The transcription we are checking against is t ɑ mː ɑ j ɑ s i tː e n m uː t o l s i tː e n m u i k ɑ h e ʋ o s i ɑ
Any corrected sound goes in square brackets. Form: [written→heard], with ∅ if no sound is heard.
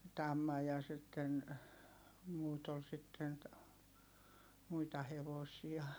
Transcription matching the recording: t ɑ mː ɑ j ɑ s i tː e n m uː t o l s i tː e n m u i [k→t] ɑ h e ʋ o s i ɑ